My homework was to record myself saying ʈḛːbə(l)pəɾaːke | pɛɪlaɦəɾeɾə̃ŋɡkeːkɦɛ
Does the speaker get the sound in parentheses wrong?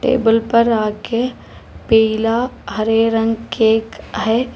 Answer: no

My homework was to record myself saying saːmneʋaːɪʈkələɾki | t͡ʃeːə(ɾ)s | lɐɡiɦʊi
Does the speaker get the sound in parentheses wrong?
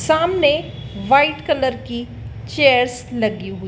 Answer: no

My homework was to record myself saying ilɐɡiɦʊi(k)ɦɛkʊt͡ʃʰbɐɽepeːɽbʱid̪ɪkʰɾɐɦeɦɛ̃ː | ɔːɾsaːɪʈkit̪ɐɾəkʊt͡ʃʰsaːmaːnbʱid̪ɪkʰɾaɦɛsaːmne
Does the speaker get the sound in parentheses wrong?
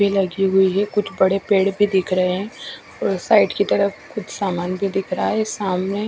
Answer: yes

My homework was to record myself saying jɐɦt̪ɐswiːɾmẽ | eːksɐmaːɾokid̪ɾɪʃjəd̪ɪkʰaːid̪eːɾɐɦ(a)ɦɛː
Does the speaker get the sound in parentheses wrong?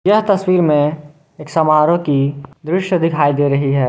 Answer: yes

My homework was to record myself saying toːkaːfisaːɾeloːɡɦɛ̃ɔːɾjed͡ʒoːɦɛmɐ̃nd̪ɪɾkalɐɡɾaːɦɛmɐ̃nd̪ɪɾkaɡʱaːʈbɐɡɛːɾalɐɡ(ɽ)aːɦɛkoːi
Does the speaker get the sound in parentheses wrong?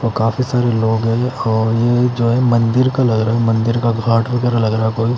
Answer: yes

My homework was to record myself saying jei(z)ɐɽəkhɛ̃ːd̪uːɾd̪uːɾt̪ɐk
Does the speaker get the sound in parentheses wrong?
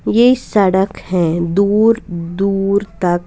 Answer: yes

